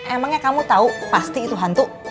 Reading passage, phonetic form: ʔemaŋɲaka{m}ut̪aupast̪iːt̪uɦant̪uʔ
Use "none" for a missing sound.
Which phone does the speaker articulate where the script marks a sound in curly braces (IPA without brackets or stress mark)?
m